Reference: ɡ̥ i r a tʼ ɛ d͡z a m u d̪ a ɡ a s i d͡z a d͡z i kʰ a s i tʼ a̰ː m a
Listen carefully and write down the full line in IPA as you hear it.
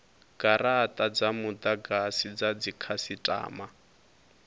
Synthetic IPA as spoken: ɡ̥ a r a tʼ a d͡z a m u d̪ a ɡ a s i d͡z a d͡z i kʰ a s i tʼ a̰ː m a

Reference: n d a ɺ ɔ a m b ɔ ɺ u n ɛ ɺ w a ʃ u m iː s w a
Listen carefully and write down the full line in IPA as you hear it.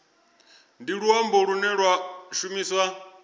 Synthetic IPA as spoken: n d i ɺ u a m b ɔ ɺ u n ɛ ɺ w a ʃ u m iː s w a

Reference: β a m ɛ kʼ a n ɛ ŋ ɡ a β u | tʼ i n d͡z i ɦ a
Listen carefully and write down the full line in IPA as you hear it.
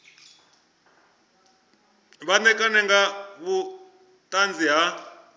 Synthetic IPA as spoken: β a n ɛ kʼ a n ɛ ŋ ɡ a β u | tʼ a n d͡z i ɦ a

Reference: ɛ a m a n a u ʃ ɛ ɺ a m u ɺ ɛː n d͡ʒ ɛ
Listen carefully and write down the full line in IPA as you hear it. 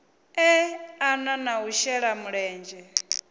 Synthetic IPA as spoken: ɛ a n a n a u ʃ ɛ ɺ a m u ɺ ɛː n d͡ʒ ɛ

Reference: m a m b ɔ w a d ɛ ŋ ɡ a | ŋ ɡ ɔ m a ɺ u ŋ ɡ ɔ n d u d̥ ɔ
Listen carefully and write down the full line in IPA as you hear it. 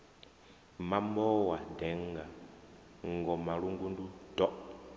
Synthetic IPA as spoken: m a m b ɔ w a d ɛ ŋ ɡ a | ŋ ɡ ɔ m a ɺ u ŋ ɡ u n d u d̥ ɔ

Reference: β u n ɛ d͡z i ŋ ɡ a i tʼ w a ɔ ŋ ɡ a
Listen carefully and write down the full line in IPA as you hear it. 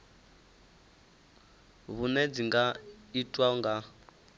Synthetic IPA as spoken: β u n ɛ d͡z i ŋ ɡ a i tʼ w a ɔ ŋ ɡ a

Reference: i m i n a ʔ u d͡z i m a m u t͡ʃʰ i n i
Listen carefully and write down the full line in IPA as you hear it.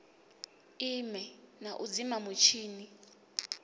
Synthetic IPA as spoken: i m ɛ n a ʔ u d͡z i m a m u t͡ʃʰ iː n i

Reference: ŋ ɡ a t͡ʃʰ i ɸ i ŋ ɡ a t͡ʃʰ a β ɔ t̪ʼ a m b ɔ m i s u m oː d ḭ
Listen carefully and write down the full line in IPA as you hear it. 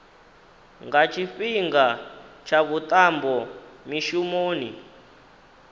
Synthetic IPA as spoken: ŋ ɡ a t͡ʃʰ i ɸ i ŋ ɡ a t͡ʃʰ a β u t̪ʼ a m b ɔ m i ʃ u m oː n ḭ

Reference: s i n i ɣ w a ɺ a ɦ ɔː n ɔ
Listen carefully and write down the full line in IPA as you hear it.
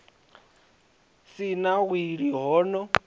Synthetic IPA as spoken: s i n a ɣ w i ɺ i ɦ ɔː n ɔ

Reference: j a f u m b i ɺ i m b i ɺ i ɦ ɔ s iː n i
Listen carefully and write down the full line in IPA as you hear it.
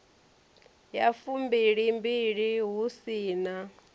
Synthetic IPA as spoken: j a f u m b i ɺ i m b i ɺ i ɦ u s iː n a

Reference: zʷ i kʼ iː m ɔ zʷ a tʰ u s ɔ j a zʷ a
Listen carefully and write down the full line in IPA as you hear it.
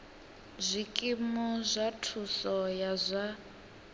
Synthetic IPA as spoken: zʷ i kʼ i m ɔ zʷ a tʰ u s ɔ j a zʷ a

